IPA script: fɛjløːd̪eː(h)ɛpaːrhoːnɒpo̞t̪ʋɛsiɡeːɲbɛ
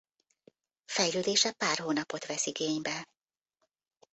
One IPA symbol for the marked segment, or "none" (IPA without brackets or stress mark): ʃ